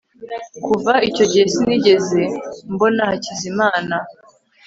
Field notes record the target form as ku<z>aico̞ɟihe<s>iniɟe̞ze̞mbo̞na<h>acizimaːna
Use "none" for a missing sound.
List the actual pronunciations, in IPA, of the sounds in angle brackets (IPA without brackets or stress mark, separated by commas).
v, s, h